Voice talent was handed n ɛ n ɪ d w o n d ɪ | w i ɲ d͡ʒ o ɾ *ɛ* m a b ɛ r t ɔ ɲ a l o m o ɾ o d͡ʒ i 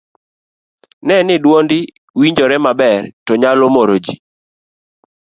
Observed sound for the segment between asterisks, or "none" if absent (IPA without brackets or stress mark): ɛ